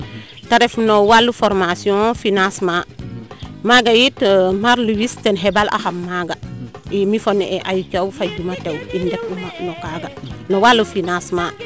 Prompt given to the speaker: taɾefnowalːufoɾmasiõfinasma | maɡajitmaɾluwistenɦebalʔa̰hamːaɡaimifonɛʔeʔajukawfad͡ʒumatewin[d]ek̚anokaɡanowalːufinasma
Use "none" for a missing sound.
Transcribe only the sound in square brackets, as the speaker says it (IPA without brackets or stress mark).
d